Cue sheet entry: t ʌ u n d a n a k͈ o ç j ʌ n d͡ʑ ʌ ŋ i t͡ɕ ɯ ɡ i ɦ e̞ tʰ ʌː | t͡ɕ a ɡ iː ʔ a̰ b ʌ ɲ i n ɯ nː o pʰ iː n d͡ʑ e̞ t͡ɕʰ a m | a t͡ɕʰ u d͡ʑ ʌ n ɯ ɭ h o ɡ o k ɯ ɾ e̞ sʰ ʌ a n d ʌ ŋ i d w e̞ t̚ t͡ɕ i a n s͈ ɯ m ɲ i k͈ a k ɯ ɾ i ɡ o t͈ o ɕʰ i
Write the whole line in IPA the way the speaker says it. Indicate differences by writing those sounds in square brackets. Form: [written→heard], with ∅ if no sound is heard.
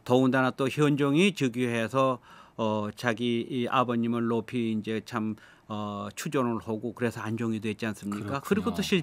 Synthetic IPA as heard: t ʌ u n d a n a [k͈→t͈] o ç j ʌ n d͡ʑ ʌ ŋ i t͡ɕ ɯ ɡ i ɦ e̞ [tʰ→sʰ] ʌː | t͡ɕ a ɡ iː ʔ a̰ b ʌ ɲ i [n→m] ɯ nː o pʰ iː n d͡ʑ e̞ t͡ɕʰ a m | [a→ʌ] t͡ɕʰ u d͡ʑ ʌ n ɯ ɭ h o ɡ o k ɯ ɾ e̞ sʰ ʌ a n [d→d͡ʑ] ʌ ŋ i d w e̞ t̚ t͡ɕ i a n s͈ ɯ m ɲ i k͈ a k ɯ ɾ i ɡ o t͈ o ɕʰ i